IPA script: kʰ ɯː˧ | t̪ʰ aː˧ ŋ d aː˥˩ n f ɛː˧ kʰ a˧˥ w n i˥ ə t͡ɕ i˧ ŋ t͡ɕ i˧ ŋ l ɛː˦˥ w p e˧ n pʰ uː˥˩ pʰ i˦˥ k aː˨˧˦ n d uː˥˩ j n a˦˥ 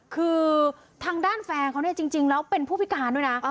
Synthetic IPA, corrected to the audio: kʰ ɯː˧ | t̪ʰ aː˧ ŋ d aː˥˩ n f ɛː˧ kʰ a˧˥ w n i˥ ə t͡ɕ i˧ ŋ t͡ɕ i˧ ŋ l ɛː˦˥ w p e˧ n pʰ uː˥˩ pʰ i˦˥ k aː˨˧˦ n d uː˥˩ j n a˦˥